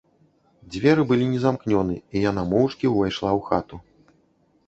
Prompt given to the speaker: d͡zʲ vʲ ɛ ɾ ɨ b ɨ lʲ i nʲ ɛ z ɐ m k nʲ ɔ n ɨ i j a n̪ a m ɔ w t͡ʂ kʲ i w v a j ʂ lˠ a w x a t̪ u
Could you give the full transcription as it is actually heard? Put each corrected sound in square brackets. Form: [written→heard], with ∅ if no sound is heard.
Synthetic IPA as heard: d͡zʲ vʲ ɛ ɾ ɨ b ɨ lʲ i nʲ ɛ z [ɐ→a] m k nʲ ɔ n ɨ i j a n̪ a m ɔ w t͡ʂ kʲ i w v a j ʂ lˠ a w x a t̪ u